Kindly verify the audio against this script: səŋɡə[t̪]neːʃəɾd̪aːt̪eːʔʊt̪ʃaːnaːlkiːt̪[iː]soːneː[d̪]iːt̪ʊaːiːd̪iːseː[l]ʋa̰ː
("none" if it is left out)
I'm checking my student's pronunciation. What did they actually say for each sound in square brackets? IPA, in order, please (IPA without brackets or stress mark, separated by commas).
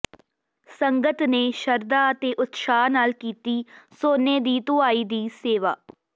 t̪, iː, d̪, none